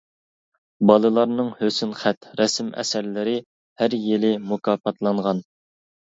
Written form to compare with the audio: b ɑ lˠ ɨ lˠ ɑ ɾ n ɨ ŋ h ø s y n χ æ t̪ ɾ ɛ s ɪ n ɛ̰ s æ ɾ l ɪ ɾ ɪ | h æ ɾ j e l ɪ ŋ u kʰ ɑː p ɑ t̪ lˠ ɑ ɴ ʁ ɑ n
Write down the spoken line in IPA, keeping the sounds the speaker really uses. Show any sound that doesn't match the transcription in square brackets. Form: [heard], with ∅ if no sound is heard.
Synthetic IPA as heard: b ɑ lˠ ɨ lˠ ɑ ɾ n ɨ ŋ h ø s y n χ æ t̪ ɾ ɛ s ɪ [m] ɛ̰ s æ ɾ l ɪ ɾ ɪ | h æ ɾ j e l ɪ [m] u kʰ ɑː p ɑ t̪ lˠ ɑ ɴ ʁ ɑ n